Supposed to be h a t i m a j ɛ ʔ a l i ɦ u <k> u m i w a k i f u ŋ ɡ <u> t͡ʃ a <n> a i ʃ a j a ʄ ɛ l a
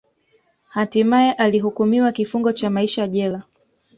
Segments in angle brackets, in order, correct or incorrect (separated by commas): correct, incorrect, incorrect